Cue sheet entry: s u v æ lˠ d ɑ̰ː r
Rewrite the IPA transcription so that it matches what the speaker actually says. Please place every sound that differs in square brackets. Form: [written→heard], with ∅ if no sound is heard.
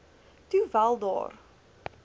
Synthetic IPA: [s→t] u v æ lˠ d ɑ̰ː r